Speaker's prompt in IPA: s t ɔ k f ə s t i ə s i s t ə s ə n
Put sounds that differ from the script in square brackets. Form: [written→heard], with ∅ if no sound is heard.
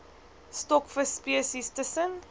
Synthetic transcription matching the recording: s t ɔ k f ə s [t→p] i ə s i s t ə s ə n